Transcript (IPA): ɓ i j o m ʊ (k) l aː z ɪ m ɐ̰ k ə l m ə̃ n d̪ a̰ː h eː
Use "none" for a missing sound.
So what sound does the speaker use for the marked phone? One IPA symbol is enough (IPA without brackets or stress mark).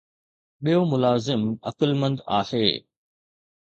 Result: none